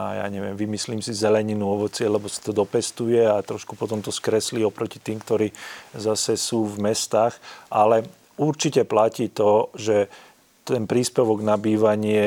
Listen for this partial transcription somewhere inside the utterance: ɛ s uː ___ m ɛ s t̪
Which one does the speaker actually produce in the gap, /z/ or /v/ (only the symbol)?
v